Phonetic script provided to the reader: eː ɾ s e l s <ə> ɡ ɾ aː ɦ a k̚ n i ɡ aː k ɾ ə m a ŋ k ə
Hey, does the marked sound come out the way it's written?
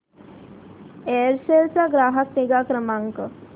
no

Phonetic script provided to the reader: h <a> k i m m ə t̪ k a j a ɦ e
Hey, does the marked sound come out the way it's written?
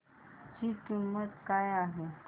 no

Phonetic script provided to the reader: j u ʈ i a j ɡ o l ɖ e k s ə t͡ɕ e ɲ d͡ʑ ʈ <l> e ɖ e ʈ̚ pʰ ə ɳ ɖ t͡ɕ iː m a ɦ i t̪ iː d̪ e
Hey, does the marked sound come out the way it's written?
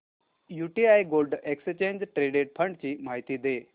no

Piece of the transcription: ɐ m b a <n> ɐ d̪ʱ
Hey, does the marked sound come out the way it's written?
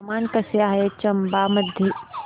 no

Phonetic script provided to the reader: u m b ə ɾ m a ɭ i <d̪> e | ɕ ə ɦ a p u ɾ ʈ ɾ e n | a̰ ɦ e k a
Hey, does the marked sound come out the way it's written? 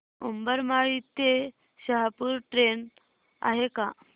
no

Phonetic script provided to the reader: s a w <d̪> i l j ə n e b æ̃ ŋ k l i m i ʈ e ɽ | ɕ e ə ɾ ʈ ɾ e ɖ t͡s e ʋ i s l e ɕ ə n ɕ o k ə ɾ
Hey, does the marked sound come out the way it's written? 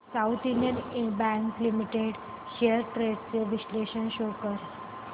no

